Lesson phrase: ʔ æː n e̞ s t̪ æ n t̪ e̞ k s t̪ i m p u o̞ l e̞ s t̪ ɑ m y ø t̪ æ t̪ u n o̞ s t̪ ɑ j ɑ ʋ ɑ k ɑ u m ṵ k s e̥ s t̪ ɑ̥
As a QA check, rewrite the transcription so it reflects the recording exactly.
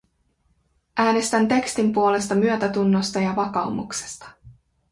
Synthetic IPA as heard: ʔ æː n e̞ s t̪ æ n t̪ e̞ k s t̪ i m p u o̞ l e̞ s t̪ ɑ m y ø t̪ æ t̪ u nː o̞ s t̪ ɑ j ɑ ʋ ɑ k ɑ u m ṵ k s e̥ s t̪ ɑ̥